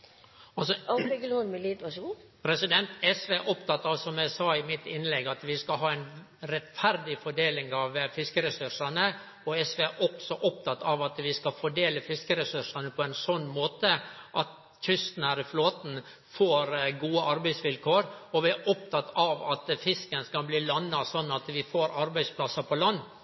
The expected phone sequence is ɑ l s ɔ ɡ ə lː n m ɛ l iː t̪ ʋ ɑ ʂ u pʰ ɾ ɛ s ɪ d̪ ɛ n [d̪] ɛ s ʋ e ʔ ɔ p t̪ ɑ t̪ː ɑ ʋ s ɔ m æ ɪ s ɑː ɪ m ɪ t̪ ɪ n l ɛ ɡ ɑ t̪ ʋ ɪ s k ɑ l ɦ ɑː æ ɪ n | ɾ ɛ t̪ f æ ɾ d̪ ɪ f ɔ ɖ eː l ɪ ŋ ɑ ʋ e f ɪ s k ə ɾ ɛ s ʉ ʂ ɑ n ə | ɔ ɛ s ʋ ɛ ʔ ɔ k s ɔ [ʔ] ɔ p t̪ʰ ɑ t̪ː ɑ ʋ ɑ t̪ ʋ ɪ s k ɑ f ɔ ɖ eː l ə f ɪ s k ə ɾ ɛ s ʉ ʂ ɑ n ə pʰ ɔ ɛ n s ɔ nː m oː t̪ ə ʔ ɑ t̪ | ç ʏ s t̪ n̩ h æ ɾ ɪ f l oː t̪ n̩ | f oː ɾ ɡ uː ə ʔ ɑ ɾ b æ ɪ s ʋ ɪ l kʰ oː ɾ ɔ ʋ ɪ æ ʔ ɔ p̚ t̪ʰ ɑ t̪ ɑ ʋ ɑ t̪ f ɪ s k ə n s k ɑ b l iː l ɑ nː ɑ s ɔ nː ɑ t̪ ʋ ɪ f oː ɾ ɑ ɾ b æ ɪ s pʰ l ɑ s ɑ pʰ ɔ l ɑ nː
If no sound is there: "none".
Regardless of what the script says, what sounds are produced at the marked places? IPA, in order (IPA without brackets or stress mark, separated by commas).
t̪, ʔ